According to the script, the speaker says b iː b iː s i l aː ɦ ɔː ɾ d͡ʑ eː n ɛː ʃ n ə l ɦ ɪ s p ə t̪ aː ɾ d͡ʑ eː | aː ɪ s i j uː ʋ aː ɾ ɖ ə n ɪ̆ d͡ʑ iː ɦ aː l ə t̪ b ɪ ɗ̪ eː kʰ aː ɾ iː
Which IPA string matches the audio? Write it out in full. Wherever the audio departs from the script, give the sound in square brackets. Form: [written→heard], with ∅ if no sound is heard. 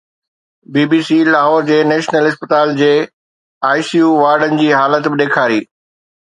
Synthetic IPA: b iː b iː s i l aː ɦ ɔː ɾ d͡ʑ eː n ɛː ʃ n ə l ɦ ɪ s p ə t̪ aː [ɾ→l] d͡ʑ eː | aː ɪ s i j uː ʋ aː ɾ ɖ ə n ɪ̆ d͡ʑ iː ɦ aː l ə t̪ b ɪ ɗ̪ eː kʰ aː ɾ iː